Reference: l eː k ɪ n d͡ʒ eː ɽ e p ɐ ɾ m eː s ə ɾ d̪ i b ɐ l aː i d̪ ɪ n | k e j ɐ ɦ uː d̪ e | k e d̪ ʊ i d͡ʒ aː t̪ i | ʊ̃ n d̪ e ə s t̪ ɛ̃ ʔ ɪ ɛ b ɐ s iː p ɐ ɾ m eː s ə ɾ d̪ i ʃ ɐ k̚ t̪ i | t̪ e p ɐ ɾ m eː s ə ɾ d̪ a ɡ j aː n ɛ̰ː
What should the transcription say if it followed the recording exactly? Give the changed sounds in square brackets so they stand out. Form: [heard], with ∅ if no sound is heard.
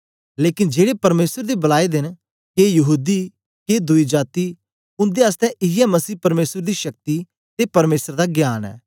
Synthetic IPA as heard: l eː k ɪ n d͡ʒ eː ɽ e p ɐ ɾ m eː s ə ɾ d̪ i b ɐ l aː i d̪ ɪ n | k e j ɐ ɦ uː d̪ [i] | k e d̪ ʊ i d͡ʒ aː t̪ i | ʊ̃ n d̪ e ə s t̪ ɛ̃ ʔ ɪ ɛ [m] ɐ s iː p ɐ ɾ m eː s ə ɾ d̪ i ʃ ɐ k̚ t̪ i | t̪ e p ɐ ɾ m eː s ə ɾ d̪ a ɡ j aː n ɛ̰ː